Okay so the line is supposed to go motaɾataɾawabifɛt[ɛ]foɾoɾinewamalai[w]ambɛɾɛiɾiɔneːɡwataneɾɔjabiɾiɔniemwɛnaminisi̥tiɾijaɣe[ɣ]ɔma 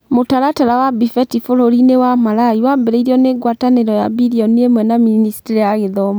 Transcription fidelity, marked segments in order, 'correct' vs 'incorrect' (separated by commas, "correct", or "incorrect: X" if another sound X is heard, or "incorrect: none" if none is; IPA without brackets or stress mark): incorrect: i, correct, incorrect: ð